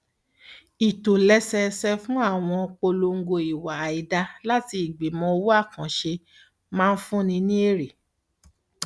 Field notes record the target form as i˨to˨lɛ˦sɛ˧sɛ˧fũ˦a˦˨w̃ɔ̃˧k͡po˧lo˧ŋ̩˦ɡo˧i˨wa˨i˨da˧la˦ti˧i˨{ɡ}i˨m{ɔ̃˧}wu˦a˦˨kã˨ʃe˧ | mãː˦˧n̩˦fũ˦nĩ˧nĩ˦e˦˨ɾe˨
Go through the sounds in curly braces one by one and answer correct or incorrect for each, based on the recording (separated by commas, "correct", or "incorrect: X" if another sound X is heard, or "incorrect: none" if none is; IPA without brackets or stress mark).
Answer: incorrect: ɡ͡b, correct